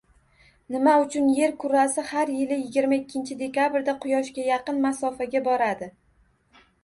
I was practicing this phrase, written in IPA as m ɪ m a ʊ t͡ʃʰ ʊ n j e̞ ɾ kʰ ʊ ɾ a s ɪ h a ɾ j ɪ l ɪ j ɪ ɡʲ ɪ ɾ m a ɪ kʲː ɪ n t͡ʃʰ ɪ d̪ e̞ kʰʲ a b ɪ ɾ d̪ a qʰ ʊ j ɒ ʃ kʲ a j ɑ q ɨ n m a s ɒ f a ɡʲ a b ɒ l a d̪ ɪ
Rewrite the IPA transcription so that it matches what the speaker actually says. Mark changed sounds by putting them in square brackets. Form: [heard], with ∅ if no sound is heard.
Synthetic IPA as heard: [n] ɪ m a ʊ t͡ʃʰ ʊ n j e̞ ɾ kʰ ʊ ɾ a s ɪ h a ɾ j ɪ l ɪ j ɪ ɡʲ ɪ ɾ m a ɪ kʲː ɪ n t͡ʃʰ ɪ d̪ e̞ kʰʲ a b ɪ ɾ d̪ a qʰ ʊ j ɒ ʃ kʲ a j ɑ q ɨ n m a s ɒ f a ɡʲ a b ɒ [ɾ] a d̪ ɪ

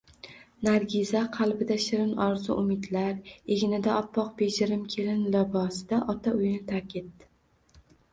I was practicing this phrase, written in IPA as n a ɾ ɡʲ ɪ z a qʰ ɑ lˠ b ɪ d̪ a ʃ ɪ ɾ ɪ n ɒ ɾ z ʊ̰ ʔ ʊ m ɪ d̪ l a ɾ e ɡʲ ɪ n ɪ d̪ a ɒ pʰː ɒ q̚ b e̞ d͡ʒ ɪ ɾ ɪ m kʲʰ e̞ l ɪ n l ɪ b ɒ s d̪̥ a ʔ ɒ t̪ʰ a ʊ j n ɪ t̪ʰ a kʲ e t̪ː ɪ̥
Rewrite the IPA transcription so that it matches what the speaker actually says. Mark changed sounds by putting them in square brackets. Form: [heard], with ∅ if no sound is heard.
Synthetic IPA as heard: n a ɾ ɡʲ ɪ z a qʰ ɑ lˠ b ɪ d̪ a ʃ ɪ ɾ ɪ n ɒ ɾ z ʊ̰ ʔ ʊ m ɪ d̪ l a ɾ e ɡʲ ɪ n ɪ d̪ a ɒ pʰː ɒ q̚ b e̞ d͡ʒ ɪ ɾ ɪ m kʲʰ e̞ l ɪ n l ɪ b ɒ s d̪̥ a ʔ ɒ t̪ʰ a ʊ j n ɪ t̪ʰ a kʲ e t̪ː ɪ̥

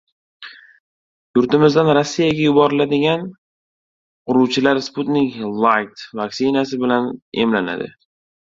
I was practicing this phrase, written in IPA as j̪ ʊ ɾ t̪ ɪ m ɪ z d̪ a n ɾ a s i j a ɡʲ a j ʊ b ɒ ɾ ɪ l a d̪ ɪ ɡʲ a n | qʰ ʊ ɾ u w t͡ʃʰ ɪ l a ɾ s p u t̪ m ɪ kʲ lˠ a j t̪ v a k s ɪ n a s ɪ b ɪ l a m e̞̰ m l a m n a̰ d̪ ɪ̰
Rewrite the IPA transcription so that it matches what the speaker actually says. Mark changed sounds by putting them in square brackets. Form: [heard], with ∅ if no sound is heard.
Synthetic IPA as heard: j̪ ʊ ɾ t̪ ɪ m ɪ z d̪ a n ɾ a [sː] i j a ɡʲ a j ʊ b ɒ ɾ ɪ l a d̪ ɪ ɡʲ a n | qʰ ʊ ɾ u w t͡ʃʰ ɪ l a ɾ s p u t̪ [n] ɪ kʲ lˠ a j t̪ v a k s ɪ n a s ɪ b ɪ l a [n] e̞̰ m l a [∅] n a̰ d̪ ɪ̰

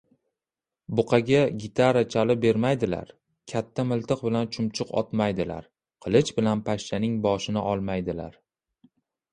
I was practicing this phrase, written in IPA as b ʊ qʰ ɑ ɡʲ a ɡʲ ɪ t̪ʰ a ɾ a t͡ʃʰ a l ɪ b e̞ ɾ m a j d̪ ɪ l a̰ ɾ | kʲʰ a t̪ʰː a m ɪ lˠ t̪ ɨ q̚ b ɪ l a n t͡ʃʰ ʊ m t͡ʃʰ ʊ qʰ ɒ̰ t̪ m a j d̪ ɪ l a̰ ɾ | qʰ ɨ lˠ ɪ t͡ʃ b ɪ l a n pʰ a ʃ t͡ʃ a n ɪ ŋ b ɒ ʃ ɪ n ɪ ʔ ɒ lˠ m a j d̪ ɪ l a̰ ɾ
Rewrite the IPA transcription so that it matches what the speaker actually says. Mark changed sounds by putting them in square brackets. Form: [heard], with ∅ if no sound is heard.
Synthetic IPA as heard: b ʊ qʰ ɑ ɡʲ a ɡʲ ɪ t̪ʰ a ɾ a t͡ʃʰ a l ɪ b e̞ ɾ m a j d̪ ɪ l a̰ ɾ | kʲʰ a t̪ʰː a m ɪ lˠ t̪ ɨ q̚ b ɪ l a n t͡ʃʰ ʊ m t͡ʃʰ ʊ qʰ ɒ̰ t̪ m a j d̪ ɪ l a̰ ɾ | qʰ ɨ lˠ ɪ t͡ʃ b ɪ l a n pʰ a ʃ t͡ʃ a n ɪ ŋ b ɒ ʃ ɪ n ɪ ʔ ɒ lˠ m a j d̪ ɪ l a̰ ɾ

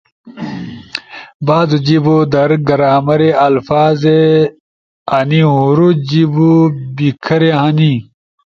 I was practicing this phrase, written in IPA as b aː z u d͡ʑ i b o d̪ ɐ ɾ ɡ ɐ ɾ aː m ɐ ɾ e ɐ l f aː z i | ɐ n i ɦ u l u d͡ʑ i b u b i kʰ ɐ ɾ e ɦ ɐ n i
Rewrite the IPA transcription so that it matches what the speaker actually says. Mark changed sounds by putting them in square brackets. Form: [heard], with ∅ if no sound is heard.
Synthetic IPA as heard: b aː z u d͡ʑ i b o d̪ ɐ ɾ ɡ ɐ ɾ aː m ɐ ɾ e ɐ l f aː z [e] | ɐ n i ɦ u [ɾ] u d͡ʑ i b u b i kʰ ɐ ɾ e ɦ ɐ n i

